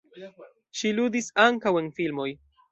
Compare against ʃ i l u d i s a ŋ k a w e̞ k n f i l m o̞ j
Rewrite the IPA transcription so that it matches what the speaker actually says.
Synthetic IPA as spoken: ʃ i l u d i s a ŋ k a w e̞ n f i l m o̞ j